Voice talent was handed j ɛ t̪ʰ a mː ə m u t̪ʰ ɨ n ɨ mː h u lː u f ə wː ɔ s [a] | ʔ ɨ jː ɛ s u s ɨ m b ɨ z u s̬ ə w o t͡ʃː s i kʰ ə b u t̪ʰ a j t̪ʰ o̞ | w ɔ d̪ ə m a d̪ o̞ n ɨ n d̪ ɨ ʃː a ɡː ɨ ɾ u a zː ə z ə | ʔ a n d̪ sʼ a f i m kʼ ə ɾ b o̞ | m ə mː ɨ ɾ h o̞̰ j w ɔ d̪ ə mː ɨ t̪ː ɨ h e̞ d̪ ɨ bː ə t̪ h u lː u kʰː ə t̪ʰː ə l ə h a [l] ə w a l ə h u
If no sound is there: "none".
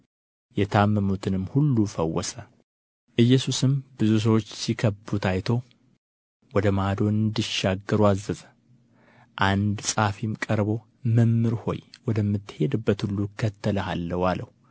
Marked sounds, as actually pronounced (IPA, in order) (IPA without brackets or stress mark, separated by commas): ə, lː